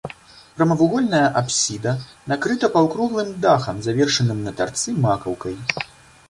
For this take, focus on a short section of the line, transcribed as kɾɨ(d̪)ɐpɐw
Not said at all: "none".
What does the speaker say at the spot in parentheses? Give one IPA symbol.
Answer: t̪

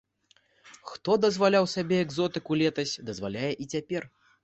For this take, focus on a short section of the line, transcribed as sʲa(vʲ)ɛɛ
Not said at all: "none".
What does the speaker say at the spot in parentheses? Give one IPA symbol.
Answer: bʲ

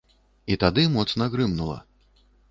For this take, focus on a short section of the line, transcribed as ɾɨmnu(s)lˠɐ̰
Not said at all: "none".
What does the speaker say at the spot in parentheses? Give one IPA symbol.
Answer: none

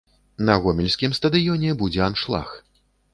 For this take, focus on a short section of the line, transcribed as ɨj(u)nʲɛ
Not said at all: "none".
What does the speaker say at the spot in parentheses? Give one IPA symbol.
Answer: ɔ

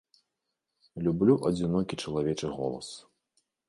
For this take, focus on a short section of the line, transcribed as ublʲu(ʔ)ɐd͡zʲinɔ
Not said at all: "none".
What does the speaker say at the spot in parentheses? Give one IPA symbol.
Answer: ʔ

